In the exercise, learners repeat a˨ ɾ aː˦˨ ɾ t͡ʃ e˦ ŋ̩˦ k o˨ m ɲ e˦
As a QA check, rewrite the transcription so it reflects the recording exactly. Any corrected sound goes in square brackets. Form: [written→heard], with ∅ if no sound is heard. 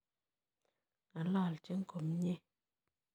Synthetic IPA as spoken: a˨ [ɾ→l] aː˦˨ [ɾ→l] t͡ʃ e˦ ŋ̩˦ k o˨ m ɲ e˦